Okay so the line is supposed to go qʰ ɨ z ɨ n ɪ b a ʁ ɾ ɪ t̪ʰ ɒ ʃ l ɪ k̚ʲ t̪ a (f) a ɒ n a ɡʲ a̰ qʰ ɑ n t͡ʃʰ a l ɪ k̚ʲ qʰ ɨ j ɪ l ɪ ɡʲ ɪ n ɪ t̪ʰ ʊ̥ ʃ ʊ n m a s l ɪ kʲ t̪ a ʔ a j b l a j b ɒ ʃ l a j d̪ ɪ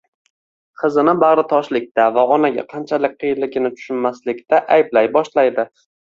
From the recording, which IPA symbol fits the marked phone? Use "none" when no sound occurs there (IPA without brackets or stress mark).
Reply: v